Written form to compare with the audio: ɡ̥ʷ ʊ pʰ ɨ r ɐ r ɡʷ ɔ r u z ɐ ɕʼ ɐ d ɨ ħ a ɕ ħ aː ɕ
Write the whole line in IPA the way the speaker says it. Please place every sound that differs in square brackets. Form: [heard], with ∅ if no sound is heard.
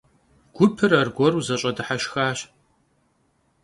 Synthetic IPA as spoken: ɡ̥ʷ ʊ pʰ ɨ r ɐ r ɡʷ ɔ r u z ɐ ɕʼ ɐ d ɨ ħ a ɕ [x] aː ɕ